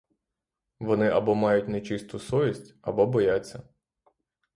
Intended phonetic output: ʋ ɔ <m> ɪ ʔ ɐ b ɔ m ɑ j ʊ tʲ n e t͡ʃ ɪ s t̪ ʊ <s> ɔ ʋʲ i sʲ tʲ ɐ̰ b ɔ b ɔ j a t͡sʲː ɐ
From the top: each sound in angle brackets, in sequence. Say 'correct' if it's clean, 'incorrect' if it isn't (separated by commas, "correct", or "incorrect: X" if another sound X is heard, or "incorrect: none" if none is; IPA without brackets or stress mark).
incorrect: n, correct